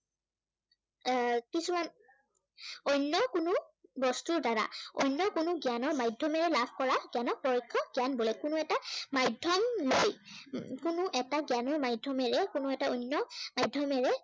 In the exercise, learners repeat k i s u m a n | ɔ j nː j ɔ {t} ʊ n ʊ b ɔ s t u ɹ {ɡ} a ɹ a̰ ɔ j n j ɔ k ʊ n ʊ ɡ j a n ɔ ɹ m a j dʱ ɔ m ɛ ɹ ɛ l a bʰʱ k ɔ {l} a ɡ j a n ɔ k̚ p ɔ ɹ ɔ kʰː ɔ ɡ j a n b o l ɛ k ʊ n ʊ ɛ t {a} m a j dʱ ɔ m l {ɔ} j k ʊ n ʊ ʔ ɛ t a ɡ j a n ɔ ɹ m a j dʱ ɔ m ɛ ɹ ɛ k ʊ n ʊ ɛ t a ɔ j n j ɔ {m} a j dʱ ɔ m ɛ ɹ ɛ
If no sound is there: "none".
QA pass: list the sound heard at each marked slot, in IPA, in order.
k, d, ɹ, a, o, m

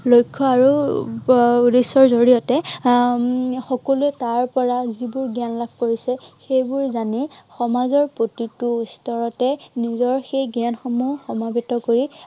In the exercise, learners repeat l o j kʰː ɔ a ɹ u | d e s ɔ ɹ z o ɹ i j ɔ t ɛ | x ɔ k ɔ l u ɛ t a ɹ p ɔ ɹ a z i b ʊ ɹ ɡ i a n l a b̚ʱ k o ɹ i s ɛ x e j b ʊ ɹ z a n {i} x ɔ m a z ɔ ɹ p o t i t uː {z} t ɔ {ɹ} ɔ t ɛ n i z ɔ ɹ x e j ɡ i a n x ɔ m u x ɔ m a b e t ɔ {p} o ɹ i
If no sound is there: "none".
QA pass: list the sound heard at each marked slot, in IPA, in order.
i, s, ɹ, k

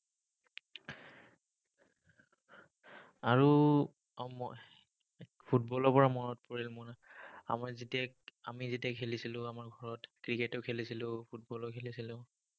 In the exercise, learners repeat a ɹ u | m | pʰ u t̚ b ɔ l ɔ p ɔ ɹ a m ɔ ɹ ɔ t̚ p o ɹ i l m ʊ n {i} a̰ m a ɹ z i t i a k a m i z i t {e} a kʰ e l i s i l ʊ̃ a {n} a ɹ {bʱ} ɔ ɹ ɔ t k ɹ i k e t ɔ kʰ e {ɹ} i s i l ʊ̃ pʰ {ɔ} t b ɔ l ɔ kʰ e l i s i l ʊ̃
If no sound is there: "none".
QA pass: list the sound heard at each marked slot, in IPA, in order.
a, i, m, ɡʱ, l, u

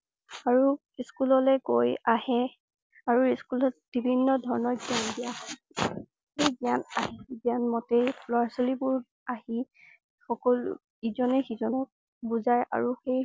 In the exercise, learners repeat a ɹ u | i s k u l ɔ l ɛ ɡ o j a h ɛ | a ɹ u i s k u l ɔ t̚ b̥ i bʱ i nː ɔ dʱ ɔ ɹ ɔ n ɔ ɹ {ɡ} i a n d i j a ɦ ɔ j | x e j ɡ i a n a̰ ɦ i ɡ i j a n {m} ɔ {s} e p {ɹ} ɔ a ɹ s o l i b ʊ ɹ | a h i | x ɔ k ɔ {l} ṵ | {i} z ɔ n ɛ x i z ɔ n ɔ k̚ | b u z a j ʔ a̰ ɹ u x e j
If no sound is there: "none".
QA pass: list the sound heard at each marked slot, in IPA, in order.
ɡ, m, t, l, l, i

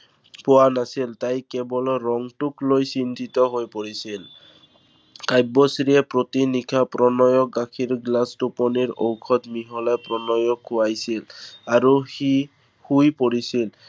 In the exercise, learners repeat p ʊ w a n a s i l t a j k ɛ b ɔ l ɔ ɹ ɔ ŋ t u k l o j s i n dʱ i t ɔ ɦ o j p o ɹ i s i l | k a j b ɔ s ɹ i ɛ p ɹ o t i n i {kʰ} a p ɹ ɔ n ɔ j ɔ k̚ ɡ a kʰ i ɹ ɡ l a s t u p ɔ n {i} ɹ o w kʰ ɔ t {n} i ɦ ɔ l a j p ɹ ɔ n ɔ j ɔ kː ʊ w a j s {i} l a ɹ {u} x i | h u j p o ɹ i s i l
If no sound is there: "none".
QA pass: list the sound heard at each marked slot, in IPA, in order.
kʰ, i, m, i, u

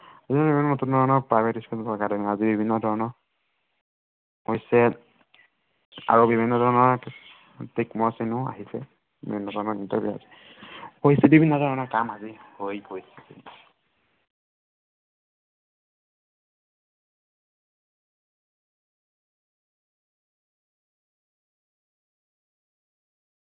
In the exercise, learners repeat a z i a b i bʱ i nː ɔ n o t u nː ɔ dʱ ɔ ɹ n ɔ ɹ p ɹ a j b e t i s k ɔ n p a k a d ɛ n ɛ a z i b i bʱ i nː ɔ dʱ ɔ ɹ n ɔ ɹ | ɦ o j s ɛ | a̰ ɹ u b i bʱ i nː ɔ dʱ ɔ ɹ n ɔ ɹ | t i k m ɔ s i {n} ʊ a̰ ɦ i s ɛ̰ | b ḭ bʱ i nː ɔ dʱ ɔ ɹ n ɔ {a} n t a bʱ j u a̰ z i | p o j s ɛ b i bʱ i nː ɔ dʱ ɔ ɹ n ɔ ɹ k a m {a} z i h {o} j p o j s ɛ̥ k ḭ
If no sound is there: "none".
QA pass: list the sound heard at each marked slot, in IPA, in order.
n, i, a, o

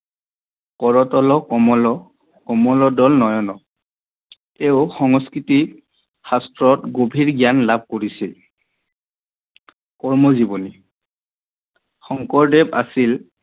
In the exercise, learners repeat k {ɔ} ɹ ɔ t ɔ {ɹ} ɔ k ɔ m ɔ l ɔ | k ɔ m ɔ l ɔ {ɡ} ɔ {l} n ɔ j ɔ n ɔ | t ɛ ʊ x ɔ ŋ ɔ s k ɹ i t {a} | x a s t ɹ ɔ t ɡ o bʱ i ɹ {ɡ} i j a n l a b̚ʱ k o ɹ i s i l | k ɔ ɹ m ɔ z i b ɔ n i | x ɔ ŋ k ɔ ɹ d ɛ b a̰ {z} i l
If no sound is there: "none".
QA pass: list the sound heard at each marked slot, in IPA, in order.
ɔ, l, d, l, i, ɡ, s

